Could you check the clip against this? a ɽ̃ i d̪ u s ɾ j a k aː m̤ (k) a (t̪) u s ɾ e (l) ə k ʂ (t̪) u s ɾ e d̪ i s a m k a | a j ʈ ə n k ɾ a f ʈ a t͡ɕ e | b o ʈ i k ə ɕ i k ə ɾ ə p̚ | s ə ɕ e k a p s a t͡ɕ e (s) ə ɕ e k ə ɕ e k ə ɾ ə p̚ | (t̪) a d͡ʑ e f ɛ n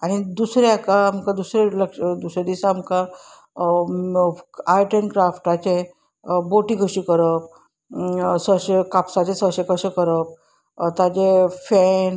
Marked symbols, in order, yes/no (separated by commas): yes, no, yes, no, yes, yes